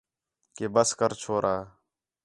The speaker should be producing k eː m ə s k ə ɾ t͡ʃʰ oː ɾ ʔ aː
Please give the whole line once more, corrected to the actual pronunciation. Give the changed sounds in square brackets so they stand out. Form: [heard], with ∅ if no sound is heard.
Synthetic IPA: k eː [b] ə s k ə ɾ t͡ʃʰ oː ɾ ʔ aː